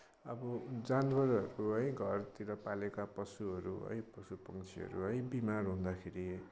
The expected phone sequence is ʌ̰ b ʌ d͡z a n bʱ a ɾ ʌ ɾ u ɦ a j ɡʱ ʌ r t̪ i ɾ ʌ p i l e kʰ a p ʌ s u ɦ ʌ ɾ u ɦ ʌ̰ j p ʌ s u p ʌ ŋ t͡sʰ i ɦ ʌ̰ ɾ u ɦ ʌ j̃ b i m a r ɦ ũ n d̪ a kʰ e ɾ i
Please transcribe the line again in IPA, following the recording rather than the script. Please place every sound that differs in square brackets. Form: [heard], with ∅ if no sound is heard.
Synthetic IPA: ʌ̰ b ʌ d͡z a n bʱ [ʌ] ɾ ʌ ɾ u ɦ [ʌ] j ɡʱ ʌ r t̪ i ɾ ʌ p [a] l e [k] a p ʌ s u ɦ ʌ ɾ u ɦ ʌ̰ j p ʌ s u p ʌ ŋ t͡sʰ i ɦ ʌ̰ ɾ u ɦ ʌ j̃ b i m a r ɦ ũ n d̪ a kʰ e ɾ i